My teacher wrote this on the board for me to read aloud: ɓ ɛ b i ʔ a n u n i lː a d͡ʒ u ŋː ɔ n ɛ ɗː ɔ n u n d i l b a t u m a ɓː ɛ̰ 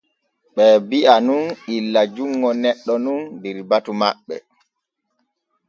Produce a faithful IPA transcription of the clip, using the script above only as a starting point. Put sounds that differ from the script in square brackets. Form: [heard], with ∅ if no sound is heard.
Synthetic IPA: ɓ ɛ b i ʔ a n u n i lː a d͡ʒ u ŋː ɔ n ɛ ɗː ɔ n u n d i [ɾ] b a t u m a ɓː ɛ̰